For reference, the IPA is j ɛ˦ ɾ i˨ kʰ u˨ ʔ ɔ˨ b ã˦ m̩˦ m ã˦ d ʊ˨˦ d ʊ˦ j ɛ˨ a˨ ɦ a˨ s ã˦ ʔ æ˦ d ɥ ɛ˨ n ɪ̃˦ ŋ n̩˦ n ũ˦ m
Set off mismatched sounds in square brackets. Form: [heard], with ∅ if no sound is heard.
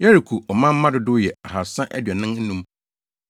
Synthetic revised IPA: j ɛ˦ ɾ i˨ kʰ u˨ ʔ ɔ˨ [m] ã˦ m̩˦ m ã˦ d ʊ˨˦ d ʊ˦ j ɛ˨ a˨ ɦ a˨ s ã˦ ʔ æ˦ d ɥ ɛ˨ n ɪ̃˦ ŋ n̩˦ n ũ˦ m

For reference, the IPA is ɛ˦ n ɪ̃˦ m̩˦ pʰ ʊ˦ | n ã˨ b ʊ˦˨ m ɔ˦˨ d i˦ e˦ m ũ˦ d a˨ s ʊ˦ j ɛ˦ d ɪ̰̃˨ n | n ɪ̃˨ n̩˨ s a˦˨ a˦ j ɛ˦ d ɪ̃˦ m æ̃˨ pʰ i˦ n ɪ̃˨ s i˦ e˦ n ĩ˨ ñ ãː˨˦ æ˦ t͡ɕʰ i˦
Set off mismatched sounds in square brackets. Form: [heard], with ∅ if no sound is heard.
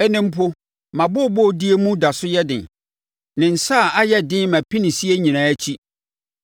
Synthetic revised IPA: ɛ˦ n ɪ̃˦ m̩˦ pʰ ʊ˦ | [m] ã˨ b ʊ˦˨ [b] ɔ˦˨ d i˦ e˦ m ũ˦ d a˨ s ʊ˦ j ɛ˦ d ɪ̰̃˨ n | n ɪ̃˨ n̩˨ s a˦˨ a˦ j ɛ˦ d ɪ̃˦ m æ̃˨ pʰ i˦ n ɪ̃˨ s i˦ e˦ [ɲ] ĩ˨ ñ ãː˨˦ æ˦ t͡ɕʰ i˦

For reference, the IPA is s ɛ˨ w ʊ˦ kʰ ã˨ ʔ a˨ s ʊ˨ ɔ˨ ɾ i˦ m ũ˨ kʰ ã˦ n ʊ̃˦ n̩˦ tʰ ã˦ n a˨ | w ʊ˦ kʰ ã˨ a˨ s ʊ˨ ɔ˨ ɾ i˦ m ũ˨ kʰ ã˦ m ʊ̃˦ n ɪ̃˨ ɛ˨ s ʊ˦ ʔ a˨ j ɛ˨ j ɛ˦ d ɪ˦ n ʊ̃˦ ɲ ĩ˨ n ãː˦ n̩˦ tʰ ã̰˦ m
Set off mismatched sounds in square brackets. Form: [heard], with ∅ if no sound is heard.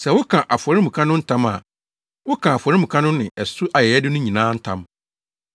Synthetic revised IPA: s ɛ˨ w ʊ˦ kʰ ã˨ ʔ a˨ [f] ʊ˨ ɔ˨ ɾ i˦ m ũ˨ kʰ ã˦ n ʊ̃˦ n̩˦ tʰ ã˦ [m] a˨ | w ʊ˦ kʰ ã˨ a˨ [f] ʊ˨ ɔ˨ ɾ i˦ m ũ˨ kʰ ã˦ [n] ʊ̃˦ n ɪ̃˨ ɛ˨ s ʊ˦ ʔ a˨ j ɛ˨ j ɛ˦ d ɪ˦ n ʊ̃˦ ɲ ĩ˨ n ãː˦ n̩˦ tʰ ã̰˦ m

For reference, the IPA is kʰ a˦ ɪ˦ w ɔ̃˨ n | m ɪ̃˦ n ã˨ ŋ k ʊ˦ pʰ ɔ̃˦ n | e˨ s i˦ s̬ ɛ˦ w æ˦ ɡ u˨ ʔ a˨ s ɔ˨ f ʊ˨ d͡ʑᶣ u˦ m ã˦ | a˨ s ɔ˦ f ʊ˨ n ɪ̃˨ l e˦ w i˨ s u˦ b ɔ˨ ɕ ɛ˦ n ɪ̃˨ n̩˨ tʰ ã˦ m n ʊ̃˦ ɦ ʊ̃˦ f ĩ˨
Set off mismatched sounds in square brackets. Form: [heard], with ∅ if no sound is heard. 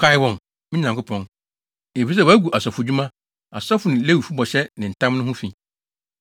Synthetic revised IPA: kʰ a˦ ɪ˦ w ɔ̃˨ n | m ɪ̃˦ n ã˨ ŋ k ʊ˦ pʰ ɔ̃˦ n | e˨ [f] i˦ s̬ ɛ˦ w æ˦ ɡ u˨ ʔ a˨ s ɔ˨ f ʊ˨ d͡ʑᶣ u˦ m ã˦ | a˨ s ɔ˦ f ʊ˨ n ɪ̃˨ l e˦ w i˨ [f] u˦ b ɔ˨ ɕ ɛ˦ n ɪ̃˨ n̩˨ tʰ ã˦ m n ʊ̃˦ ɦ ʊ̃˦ f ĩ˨

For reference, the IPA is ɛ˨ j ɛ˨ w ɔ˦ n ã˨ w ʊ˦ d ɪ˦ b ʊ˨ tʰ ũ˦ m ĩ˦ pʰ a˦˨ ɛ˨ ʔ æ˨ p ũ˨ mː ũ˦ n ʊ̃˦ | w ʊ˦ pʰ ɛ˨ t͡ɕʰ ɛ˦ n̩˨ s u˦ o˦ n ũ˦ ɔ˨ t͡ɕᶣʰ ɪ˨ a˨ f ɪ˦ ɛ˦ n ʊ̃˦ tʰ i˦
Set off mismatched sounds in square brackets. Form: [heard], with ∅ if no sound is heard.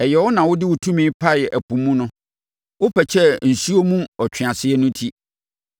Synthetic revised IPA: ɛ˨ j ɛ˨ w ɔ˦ n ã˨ w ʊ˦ d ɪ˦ [w] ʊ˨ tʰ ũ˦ m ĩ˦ pʰ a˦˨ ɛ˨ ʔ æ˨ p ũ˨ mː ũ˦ n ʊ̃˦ | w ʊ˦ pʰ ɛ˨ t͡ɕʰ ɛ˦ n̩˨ s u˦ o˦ [m] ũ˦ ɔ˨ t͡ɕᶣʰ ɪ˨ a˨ [s] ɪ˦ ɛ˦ n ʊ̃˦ tʰ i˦

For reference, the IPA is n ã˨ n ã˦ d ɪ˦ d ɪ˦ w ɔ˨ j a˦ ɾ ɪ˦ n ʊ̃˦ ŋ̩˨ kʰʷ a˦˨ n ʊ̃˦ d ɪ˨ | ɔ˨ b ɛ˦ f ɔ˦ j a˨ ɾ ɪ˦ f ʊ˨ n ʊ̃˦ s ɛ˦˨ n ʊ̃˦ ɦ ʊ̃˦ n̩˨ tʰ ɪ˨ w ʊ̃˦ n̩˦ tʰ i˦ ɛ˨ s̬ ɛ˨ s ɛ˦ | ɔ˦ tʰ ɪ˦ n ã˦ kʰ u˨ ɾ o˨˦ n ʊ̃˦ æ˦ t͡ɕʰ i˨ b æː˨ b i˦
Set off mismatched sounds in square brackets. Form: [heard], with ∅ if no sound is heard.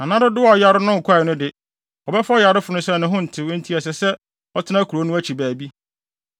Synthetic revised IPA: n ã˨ n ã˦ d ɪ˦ d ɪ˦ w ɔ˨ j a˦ ɾ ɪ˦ n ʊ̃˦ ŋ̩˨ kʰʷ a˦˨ n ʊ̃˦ d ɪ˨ | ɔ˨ b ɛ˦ f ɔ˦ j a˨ ɾ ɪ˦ f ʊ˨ n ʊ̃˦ s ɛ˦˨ n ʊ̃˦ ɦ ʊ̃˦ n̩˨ tʰ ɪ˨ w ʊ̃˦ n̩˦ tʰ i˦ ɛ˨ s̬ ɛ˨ s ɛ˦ | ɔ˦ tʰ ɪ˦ n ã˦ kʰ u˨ ɾ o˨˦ n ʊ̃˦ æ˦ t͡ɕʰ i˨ b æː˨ b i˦

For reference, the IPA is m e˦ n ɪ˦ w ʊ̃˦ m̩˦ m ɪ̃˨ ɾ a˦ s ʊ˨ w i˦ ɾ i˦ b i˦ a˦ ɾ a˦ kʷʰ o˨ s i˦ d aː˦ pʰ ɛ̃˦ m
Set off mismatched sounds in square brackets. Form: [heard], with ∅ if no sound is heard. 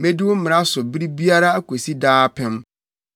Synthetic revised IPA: m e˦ [d] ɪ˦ w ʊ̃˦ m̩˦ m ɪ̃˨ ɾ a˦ s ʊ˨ [b] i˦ ɾ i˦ b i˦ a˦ ɾ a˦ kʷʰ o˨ s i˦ d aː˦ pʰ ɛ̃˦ m

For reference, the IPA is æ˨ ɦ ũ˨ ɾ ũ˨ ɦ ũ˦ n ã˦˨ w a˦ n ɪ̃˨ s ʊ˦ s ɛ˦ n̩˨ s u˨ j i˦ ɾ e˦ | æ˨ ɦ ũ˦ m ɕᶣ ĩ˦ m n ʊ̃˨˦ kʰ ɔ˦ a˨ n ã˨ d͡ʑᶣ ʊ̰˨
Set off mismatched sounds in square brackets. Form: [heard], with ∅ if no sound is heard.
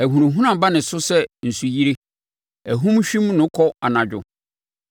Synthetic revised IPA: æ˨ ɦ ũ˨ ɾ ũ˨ ɦ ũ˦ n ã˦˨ [b] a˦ n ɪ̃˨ s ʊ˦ s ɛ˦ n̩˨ s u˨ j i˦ ɾ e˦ | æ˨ ɦ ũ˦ m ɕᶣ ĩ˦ m n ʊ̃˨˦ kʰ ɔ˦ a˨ n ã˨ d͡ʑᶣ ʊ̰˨

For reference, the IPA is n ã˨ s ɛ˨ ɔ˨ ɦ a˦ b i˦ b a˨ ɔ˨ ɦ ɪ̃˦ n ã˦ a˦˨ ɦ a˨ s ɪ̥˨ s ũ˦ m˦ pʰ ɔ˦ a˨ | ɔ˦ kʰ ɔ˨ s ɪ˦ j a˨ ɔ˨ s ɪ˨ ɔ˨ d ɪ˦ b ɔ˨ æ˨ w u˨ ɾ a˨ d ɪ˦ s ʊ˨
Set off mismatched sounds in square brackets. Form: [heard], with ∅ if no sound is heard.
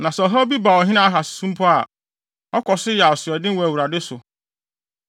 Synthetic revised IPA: n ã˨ s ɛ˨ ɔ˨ ɦ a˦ b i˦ b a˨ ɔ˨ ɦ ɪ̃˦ n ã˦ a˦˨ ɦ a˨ s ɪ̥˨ s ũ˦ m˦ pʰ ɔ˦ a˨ | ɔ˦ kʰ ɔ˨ s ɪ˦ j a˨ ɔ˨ s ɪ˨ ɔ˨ d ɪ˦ [w] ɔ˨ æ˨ w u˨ ɾ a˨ d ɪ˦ s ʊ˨

